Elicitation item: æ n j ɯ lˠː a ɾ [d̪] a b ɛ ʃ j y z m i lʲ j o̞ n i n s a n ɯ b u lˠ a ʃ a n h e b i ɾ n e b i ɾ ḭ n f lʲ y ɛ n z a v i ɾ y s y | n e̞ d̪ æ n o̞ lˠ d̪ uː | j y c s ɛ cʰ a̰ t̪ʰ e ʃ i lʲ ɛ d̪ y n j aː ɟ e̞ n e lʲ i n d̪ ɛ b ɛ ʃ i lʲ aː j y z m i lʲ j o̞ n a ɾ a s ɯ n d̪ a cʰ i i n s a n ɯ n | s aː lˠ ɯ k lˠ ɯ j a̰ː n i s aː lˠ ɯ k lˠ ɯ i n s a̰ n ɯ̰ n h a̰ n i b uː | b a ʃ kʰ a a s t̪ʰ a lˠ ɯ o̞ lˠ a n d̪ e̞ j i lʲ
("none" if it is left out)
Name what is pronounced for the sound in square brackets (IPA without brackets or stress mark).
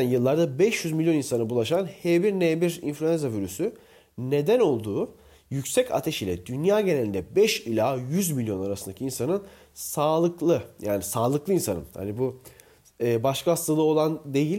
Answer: d̪